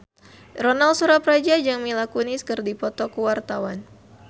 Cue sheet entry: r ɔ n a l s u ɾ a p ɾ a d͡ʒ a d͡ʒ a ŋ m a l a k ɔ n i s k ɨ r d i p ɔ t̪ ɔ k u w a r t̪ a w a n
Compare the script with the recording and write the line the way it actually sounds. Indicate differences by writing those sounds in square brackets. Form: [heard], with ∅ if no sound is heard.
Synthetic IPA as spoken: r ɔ n a l s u ɾ a p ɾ a d͡ʒ a d͡ʒ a ŋ m [i] l a k [u] n i s k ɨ r d i p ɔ t̪ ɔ k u w a r t̪ a w a n

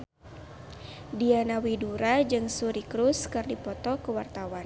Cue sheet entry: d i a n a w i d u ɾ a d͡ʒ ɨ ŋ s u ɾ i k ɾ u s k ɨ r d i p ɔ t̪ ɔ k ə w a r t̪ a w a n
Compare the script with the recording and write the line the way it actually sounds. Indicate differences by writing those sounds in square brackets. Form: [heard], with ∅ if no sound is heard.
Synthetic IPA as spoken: d i a n a w i d u ɾ a d͡ʒ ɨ ŋ s u ɾ i k ɾ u s k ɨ r d i p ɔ t̪ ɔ k ə w a r t̪ a w a n

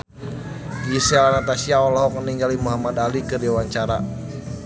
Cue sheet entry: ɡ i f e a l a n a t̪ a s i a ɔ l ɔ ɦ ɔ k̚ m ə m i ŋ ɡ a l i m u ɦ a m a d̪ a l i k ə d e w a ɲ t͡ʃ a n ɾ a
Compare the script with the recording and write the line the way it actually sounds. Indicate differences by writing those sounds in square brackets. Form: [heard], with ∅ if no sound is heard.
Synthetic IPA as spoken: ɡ i [s] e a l a n a t̪ a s i a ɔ l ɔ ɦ ɔ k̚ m ə [n] i ŋ ɡ a l i m u ɦ a m a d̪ a l i k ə d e w a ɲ t͡ʃ a [∅] ɾ a

